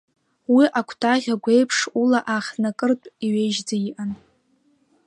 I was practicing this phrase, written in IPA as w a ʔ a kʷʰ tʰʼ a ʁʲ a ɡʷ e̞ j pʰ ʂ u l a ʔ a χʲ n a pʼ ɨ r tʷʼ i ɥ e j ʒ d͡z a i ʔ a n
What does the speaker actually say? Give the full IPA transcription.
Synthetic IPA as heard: w i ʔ a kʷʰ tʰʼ a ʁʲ a ɡʷ e̞ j pʰ ʂ u l a ʔ a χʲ n a kʼ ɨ r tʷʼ i ɥ e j ʒ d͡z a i ʔ a n